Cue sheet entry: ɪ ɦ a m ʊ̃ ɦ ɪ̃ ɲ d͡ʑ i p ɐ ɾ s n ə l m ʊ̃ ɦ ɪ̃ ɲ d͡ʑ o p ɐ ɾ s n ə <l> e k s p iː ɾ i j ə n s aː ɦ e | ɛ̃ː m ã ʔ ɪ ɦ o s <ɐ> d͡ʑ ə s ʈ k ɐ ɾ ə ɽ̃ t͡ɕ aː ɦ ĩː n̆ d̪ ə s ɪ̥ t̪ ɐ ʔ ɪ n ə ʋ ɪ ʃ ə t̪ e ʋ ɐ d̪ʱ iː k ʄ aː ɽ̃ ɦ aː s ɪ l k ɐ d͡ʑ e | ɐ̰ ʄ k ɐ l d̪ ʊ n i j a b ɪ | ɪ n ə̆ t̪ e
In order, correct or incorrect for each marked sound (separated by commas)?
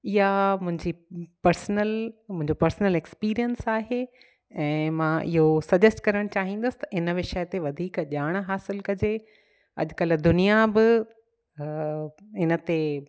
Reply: correct, correct